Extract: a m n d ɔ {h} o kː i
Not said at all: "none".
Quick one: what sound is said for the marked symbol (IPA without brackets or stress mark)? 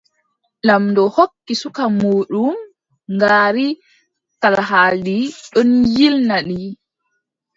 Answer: h